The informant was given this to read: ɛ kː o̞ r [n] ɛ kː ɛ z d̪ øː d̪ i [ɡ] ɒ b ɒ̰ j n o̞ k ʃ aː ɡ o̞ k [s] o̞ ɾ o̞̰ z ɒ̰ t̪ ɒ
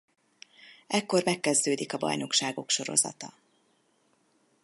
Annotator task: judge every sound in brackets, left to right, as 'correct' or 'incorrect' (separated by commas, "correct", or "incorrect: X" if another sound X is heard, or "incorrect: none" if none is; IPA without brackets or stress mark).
incorrect: m, incorrect: k, incorrect: ʃ